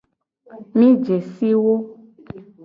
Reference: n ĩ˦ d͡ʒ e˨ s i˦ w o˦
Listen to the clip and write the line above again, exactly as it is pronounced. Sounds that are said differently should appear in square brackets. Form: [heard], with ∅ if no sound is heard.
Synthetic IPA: [m] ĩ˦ d͡ʒ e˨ s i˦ w o˦